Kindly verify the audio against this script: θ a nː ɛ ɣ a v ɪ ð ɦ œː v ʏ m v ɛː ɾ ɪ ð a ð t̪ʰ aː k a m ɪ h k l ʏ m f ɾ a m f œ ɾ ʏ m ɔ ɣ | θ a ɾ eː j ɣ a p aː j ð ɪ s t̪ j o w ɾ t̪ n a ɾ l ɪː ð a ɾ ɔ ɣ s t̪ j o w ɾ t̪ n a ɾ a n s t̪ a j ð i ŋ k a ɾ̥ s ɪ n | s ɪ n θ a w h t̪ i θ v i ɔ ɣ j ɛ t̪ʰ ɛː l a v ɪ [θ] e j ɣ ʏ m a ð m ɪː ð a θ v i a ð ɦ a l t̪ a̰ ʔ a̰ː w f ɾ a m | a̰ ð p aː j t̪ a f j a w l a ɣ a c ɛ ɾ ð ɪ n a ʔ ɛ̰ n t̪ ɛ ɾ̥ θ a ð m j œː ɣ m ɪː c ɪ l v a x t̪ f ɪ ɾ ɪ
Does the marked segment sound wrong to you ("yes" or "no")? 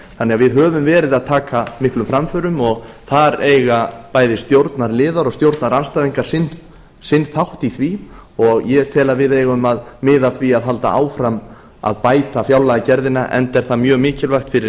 yes